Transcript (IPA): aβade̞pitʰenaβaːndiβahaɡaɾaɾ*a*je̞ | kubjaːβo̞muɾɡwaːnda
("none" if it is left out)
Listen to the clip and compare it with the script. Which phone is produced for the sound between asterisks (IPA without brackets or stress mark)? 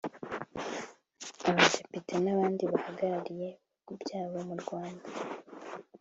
i